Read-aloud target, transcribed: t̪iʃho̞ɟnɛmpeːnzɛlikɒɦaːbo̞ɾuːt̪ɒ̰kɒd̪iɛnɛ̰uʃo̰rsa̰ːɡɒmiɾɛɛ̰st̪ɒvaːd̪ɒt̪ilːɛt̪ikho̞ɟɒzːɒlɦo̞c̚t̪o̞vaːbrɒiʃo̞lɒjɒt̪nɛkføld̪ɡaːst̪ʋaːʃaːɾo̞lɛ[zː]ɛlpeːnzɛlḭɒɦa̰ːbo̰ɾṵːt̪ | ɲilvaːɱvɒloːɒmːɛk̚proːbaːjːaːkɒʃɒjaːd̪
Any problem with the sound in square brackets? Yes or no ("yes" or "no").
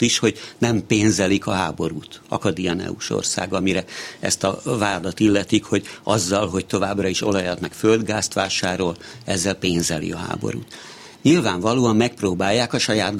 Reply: no